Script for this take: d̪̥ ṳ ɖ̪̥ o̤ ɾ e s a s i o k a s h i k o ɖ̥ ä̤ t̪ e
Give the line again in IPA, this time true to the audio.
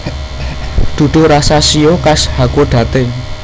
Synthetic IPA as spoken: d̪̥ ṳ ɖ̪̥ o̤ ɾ a s a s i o k a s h a k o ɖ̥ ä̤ t̪ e